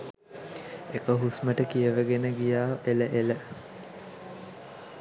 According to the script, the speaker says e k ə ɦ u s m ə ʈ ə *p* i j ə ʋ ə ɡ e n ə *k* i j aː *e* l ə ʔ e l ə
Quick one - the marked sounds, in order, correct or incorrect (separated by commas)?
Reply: incorrect, incorrect, correct